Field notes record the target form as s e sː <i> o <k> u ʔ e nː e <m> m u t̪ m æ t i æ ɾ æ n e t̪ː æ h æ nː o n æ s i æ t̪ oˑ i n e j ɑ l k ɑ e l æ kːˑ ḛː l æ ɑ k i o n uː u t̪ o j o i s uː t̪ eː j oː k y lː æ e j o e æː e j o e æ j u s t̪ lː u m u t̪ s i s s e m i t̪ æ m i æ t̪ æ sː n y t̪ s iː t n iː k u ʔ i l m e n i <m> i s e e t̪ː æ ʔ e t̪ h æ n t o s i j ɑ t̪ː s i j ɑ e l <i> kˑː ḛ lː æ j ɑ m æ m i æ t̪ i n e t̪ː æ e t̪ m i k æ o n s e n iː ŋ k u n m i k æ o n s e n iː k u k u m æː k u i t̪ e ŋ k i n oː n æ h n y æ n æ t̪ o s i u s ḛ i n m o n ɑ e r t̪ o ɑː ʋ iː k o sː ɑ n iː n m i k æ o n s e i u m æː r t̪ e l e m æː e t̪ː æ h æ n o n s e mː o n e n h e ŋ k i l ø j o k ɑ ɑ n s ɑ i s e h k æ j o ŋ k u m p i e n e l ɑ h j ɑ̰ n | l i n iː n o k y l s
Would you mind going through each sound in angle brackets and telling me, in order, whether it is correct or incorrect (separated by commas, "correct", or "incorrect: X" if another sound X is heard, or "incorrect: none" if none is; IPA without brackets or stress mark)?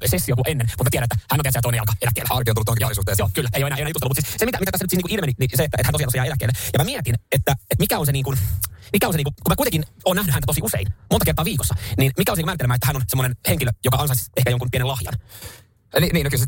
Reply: correct, correct, incorrect: n, incorrect: n, incorrect: æ